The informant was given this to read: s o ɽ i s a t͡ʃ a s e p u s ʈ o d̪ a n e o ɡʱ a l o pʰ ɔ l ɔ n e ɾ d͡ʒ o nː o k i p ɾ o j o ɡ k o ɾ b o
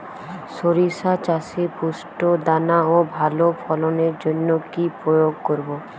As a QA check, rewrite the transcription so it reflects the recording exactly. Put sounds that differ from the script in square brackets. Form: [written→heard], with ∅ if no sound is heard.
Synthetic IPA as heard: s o [ɽ→ɾ] i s a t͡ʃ a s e p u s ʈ o d̪ a n [e→a] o [ɡʱ→bʱ] a l o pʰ ɔ l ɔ n e ɾ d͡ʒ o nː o k i p ɾ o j o ɡ k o ɾ b o